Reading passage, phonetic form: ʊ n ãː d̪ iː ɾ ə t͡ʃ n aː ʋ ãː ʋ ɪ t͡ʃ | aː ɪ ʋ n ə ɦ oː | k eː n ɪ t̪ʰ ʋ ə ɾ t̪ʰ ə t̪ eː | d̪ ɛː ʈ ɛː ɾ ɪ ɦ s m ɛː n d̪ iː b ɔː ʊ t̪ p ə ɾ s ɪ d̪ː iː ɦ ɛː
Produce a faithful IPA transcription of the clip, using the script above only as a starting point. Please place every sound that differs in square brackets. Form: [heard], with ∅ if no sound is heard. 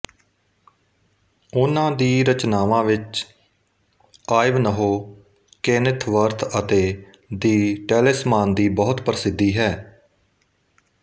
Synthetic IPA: ʊ n ãː d̪ iː ɾ ə t͡ʃ n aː ʋ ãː ʋ ɪ t͡ʃ | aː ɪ ʋ n ə ɦ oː | k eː n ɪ t̪ʰ ʋ ə ɾ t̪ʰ ə t̪ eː | d̪ [iː] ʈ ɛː [l] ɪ [∅] s m [aː] n d̪ iː b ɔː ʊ t̪ p ə ɾ s ɪ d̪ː iː ɦ ɛː